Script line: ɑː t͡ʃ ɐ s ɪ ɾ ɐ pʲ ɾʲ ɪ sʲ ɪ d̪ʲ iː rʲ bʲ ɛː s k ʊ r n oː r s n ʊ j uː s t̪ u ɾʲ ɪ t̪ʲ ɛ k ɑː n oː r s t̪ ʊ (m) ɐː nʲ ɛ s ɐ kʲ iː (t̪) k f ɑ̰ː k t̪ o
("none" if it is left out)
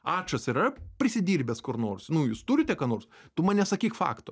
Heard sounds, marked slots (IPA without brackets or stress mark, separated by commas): m, none